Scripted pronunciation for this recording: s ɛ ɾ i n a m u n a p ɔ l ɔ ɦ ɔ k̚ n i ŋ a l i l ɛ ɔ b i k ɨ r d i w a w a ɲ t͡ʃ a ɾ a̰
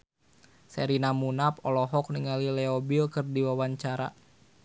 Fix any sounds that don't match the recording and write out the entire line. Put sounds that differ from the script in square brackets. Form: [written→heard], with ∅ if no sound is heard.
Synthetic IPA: s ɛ ɾ i n a m u n a p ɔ l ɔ ɦ ɔ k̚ n i ŋ a l i l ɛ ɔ b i k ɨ r d i w a w a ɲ t͡ʃ a ɾ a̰